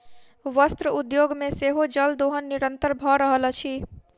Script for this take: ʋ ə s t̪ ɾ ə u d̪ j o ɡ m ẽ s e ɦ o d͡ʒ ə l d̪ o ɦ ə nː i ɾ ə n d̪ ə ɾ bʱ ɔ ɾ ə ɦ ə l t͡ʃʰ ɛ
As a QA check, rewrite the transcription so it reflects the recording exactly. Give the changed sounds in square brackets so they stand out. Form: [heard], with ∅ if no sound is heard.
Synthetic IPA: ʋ ə s t̪ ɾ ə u d̪ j o ɡ m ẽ s e ɦ o d͡ʒ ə l d̪ o ɦ ə nː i ɾ ə n [t̪] ə ɾ bʱ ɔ ɾ ə ɦ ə l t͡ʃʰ [i]